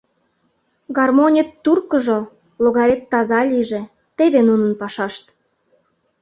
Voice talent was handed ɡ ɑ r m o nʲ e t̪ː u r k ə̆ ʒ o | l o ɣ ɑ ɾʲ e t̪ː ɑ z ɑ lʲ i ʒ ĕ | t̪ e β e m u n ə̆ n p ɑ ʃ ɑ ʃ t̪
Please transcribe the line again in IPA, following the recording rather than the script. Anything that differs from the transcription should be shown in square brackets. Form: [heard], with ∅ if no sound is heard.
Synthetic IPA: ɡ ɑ r m o nʲ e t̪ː u r k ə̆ ʒ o | l o ɣ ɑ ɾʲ e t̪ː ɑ z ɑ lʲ i ʒ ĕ | t̪ e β e [n] u n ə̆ n p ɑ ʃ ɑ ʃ t̪